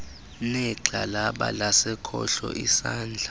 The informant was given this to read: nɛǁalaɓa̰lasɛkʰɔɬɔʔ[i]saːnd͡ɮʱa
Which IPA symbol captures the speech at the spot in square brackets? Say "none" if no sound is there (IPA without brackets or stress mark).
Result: i